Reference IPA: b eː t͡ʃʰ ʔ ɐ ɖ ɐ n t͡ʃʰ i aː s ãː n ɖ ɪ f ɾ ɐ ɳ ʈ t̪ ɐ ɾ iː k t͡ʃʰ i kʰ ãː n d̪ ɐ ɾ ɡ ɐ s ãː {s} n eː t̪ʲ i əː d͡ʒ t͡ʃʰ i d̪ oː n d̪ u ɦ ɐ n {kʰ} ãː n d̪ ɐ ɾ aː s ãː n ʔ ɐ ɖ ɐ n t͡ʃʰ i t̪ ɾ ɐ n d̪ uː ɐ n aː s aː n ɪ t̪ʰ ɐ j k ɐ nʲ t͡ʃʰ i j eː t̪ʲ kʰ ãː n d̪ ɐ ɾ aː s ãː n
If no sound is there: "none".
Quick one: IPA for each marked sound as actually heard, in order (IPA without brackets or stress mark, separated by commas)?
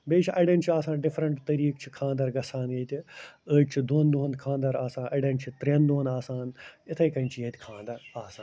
none, kʰ